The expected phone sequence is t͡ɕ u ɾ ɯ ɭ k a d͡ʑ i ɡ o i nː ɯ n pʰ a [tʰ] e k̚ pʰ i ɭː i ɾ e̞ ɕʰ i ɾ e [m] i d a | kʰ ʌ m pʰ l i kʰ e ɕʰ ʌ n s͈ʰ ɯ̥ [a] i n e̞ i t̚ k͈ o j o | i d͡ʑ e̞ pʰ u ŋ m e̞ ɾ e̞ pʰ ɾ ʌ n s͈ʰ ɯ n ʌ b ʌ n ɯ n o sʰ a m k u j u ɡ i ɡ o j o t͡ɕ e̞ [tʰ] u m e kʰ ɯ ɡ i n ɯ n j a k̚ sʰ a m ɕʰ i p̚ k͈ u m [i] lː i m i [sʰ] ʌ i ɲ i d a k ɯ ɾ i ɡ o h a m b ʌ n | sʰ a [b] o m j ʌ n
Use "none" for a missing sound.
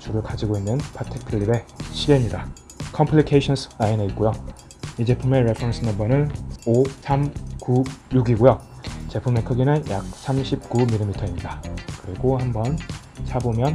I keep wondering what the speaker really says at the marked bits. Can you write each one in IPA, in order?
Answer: tʰ, ɲ, a, pʰ, i, tʰ, b

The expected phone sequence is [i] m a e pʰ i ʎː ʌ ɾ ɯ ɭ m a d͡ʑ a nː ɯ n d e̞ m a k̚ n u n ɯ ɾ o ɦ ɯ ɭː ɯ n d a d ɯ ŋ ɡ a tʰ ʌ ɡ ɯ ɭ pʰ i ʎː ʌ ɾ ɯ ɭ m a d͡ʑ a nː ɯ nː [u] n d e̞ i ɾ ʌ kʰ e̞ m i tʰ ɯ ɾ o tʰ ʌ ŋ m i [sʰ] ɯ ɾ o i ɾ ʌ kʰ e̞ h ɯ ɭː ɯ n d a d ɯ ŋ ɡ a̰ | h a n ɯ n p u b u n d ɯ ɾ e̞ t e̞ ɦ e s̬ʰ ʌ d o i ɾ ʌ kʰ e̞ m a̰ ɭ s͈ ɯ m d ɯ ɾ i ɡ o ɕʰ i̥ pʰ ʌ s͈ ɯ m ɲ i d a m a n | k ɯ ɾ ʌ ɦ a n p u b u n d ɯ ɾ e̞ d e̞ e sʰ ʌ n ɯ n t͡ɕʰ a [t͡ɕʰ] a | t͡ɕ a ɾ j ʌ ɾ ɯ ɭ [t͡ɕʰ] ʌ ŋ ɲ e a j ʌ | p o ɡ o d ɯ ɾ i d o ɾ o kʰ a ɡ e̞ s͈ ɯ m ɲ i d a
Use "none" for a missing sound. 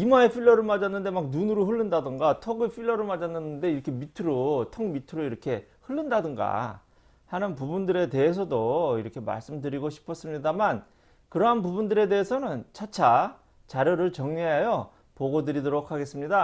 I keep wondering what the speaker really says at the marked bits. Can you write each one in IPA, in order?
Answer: i, ɯ, tʰ, t͡ɕʰ, t͡ɕ

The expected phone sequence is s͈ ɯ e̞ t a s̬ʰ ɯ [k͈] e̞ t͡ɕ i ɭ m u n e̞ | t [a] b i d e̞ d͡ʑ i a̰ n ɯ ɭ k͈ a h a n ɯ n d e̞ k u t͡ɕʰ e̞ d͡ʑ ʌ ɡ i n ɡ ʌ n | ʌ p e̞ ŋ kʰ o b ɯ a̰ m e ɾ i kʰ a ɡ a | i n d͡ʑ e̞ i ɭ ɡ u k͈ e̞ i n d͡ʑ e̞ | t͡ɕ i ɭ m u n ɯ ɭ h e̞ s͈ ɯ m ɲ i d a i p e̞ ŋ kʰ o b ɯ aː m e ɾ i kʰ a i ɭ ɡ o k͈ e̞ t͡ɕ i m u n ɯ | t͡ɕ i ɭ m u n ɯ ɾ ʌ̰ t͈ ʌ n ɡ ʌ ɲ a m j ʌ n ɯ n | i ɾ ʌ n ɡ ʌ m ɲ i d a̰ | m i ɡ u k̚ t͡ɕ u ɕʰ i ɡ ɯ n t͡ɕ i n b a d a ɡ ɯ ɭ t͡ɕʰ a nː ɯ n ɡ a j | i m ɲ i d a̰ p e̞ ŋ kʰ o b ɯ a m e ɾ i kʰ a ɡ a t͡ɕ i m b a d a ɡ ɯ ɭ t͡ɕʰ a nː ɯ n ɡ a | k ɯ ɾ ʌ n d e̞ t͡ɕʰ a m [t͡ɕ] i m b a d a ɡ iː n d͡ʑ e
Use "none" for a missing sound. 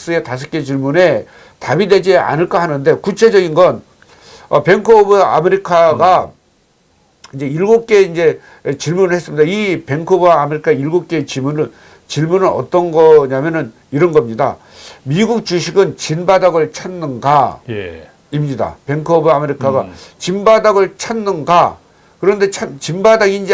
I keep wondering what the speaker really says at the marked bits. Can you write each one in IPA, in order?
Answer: k͈, a, t͡ɕ

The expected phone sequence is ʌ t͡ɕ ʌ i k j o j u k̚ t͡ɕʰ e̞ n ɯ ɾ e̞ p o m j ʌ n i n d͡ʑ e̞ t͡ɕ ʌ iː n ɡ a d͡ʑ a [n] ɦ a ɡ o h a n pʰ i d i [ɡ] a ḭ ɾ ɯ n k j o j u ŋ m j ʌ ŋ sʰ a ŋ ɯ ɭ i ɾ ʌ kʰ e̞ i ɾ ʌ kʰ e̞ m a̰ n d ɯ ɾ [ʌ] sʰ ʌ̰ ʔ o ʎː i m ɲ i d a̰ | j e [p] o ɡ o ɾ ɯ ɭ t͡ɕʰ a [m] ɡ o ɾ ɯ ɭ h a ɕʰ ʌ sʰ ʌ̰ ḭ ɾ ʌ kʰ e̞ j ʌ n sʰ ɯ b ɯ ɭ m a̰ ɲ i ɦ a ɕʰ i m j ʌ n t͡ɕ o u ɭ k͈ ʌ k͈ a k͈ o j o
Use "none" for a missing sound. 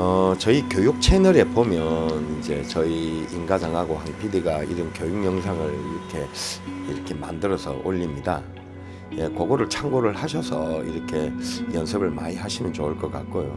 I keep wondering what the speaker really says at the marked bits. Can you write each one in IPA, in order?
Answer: ŋ, ɡ, ʌ, k, ŋ

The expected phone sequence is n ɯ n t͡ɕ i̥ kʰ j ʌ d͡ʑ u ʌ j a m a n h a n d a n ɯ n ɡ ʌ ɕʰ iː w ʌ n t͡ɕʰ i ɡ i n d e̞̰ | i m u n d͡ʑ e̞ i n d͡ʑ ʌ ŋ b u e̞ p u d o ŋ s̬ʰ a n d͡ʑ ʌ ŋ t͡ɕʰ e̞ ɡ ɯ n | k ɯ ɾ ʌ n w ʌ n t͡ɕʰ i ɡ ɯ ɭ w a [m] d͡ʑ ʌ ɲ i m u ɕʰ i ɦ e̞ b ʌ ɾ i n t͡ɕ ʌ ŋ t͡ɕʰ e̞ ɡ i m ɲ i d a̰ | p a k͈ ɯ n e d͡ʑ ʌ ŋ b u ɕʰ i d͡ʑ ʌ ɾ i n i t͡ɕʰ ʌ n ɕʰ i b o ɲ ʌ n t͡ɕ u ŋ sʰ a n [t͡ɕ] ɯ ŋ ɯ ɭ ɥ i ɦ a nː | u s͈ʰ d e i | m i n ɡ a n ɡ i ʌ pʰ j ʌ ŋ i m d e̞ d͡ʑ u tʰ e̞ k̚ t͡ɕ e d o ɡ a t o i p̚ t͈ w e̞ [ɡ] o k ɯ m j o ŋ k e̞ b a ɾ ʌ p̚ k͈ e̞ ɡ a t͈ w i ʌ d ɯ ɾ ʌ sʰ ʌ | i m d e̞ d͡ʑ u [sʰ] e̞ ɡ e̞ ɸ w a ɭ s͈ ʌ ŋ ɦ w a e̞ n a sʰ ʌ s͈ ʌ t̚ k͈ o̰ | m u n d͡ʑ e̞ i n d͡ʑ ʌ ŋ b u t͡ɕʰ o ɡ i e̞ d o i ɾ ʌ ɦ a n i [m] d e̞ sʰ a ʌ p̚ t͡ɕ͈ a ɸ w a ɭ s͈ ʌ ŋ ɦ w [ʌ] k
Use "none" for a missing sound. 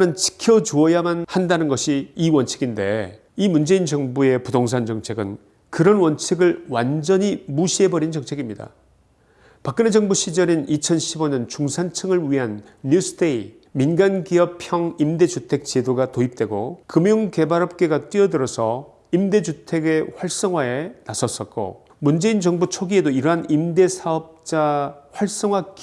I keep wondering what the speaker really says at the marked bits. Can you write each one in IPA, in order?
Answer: n, t͡ɕʰ, ɡ, tʰ, m, a

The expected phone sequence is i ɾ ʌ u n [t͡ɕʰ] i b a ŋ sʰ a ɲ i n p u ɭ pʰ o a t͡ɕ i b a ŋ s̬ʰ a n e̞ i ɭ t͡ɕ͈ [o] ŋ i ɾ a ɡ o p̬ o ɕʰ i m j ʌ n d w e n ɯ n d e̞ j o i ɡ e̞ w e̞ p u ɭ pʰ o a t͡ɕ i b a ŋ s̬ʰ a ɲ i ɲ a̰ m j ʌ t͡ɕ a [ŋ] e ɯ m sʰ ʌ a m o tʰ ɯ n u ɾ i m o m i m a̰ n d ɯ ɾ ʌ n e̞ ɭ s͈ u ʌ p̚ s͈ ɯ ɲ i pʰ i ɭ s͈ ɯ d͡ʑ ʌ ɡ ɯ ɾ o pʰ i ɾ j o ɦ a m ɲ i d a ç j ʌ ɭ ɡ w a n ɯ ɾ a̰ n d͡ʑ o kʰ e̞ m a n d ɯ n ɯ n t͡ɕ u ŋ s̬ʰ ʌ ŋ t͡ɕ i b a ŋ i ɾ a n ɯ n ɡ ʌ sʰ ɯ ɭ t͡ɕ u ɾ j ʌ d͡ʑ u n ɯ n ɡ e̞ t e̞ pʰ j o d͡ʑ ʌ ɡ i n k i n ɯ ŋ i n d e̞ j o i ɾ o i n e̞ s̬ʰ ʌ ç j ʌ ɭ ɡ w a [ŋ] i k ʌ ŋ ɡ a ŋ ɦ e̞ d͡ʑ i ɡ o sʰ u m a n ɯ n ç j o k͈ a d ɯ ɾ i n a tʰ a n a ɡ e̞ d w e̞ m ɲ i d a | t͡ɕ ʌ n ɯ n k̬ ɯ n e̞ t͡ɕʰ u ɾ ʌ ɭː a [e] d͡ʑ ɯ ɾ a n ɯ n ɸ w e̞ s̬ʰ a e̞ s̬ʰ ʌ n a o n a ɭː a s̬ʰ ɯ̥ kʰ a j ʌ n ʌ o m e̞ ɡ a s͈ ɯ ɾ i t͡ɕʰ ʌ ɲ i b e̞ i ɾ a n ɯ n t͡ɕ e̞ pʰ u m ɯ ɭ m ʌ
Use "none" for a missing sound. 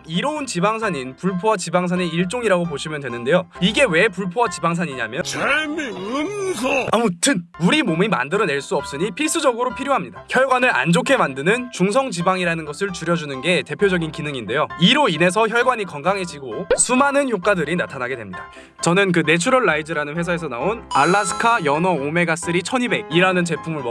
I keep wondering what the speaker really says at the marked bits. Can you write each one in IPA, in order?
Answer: t͡ɕ, o, m, ɲ, i

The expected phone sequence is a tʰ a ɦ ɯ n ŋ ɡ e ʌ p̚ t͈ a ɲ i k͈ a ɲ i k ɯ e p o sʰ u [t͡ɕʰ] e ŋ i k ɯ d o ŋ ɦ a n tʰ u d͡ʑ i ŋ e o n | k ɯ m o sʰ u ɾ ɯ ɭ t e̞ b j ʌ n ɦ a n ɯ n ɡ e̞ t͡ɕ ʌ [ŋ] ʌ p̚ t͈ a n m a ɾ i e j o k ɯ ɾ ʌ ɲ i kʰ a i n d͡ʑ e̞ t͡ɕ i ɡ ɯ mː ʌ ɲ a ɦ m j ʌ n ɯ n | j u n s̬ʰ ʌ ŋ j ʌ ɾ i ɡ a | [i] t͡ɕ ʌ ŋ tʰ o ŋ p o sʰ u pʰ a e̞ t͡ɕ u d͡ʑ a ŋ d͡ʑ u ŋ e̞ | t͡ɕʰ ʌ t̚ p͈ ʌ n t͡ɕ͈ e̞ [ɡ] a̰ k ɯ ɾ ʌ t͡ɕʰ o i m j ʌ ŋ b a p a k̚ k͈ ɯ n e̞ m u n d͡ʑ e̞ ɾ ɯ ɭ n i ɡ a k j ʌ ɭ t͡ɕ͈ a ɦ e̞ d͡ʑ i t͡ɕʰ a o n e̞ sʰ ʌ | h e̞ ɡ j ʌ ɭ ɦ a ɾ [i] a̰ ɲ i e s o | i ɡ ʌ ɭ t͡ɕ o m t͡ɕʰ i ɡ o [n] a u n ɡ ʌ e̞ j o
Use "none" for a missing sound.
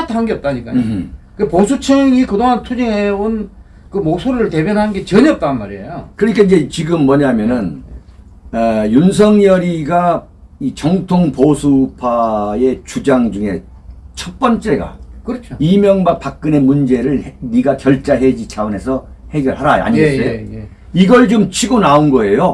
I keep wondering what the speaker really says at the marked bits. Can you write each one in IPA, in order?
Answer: t͡ɕʰ, ɲ, i, ɡ, a, n

